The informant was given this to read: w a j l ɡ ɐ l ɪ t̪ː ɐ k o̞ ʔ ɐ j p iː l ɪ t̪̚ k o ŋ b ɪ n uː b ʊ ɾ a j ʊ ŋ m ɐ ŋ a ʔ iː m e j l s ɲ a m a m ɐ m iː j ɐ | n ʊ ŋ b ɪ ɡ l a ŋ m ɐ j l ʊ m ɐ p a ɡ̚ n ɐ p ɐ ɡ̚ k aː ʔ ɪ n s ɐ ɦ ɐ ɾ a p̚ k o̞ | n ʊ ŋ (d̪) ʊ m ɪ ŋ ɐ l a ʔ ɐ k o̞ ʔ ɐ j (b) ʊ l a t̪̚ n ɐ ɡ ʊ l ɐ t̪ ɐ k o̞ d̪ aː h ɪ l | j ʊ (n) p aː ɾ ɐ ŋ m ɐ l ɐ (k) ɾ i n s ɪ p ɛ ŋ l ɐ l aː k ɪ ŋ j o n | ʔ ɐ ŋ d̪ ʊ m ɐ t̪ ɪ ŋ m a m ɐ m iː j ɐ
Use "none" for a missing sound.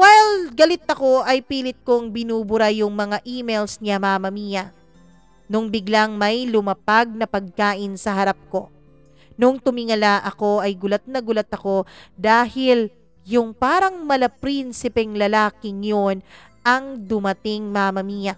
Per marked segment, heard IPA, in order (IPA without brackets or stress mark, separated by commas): t̪, ɡ, ŋ, p